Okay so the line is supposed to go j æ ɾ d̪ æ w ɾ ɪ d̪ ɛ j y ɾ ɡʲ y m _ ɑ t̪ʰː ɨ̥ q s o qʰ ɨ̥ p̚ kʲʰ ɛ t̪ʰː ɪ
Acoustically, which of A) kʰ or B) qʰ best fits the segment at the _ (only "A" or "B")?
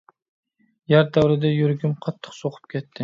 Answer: B